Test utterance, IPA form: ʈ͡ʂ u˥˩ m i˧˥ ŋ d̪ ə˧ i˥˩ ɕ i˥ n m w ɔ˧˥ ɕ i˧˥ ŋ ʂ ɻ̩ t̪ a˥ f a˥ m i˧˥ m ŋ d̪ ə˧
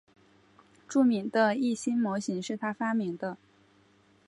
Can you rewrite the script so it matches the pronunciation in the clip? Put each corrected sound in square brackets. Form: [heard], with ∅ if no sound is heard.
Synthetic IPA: ʈ͡ʂ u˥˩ m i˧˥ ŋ d̪ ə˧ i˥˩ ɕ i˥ n m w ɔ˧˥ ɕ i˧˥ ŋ ʂ ɻ̩ [t̪ʰ] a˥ f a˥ m i˧˥ [∅] ŋ d̪ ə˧